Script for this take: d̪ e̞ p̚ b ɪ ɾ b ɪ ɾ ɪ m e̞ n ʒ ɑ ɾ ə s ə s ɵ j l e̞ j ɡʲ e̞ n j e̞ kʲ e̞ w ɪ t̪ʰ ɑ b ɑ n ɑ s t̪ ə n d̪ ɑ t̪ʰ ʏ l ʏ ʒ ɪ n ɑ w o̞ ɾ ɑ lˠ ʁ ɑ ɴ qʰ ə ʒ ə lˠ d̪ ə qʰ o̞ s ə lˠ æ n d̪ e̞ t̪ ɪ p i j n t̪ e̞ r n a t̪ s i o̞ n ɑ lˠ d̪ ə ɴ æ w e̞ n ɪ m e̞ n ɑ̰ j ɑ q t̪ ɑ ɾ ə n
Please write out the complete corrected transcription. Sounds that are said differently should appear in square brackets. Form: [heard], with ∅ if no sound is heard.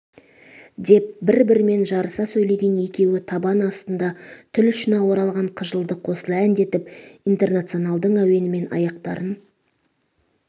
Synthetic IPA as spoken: d̪ e̞ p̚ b ɪ ɾ b ɪ ɾ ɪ m e̞ n ʒ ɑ ɾ ə s [ɑ] s ɵ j l e̞ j ɡʲ e̞ n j e̞ kʲ e̞ w ɪ t̪ʰ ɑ b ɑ n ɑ s t̪ ə n d̪ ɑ t̪ʰ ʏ l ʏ [ʃ] ɪ n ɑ w o̞ ɾ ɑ lˠ ʁ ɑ ɴ qʰ ə ʒ ə lˠ d̪ ə qʰ o̞ s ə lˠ æ n d̪ e̞ t̪ ɪ p i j n t̪ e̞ r n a t̪ s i o̞ n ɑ lˠ d̪ ə ɴ æ w e̞ n ɪ m e̞ n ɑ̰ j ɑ q t̪ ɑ ɾ ə n